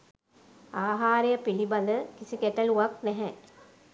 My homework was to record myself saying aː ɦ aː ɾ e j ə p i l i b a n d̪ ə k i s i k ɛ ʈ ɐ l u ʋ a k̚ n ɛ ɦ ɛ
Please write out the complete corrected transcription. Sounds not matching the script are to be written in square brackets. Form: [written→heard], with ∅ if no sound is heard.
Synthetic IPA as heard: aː ɦ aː ɾ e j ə p i l i b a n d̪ ə k i s i k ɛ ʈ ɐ l u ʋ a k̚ n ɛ ɦ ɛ